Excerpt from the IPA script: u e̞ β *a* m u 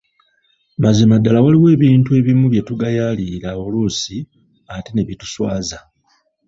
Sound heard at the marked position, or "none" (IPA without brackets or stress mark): i